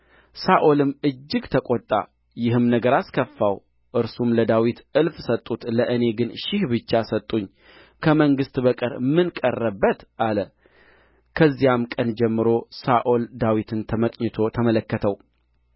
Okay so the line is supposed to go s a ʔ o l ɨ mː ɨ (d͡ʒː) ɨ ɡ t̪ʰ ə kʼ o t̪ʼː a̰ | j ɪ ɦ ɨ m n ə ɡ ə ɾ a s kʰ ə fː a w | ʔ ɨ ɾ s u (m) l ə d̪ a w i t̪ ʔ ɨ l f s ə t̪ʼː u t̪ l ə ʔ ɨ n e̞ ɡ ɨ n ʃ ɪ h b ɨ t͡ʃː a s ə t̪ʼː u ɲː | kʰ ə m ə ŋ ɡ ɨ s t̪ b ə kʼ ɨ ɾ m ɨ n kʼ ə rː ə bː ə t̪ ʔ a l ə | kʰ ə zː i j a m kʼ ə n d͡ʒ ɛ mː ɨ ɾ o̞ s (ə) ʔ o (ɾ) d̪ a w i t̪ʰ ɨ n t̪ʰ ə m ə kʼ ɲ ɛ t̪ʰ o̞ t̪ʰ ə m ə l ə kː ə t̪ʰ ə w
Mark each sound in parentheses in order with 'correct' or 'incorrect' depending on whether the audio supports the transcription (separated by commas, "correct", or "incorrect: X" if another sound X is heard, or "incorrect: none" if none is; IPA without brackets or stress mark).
correct, correct, incorrect: a, incorrect: l